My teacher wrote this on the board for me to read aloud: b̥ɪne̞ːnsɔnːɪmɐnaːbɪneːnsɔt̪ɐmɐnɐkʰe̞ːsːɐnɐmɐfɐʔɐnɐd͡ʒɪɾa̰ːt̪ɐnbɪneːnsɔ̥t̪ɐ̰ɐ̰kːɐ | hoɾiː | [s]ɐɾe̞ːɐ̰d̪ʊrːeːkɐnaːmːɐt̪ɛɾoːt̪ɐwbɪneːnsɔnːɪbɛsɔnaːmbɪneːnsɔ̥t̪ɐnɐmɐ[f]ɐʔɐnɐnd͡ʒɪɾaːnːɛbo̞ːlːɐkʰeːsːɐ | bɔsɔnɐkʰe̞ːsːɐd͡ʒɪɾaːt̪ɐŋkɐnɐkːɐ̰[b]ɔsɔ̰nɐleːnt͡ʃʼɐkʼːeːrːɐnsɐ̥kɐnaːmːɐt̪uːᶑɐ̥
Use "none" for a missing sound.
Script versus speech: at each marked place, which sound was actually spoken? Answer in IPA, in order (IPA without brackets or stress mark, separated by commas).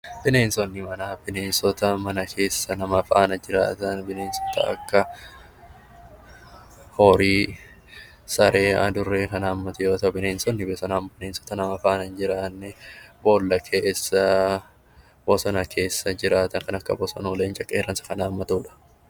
s, f, b